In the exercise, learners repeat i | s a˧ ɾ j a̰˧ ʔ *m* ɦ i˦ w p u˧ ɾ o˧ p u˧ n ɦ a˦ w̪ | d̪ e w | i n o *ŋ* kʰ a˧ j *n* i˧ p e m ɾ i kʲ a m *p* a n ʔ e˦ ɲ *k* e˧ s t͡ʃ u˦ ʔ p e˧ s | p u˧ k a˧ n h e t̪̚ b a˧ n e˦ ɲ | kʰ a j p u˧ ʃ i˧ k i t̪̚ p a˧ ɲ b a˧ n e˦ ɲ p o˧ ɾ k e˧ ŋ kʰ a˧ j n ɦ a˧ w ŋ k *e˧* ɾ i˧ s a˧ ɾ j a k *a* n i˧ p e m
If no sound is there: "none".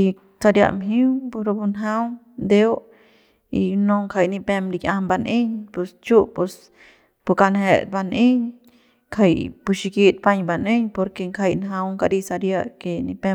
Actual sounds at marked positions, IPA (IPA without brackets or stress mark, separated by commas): m, ŋ, n, b, p, a˧, e